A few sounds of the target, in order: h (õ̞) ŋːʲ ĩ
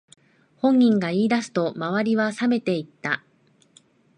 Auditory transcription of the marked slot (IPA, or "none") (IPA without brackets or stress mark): õ̞